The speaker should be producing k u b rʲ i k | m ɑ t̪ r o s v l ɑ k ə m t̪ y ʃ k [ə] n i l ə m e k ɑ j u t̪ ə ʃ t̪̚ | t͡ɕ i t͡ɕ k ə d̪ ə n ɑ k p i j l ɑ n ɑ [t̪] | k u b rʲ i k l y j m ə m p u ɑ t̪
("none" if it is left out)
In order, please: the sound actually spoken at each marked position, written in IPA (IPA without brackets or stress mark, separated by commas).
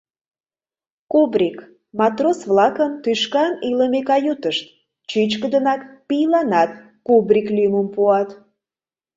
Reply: ɑ, t̪